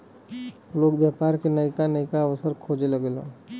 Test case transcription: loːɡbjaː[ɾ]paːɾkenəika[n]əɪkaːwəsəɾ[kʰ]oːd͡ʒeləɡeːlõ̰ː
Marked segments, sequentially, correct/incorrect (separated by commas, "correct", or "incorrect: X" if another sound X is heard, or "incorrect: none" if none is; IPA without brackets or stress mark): incorrect: none, correct, correct